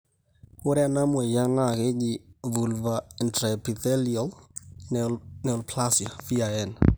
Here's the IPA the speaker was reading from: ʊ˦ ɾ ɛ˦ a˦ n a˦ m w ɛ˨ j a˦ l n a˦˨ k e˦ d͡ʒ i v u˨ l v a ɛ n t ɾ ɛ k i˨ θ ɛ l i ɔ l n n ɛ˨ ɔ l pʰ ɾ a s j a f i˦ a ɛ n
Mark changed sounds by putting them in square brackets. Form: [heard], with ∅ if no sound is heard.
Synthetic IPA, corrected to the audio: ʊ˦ ɾ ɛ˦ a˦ n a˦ m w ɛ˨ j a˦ [∅] n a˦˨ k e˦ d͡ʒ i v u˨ l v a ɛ n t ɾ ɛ [p] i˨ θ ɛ l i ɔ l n n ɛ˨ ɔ l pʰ [l] a s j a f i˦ a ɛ n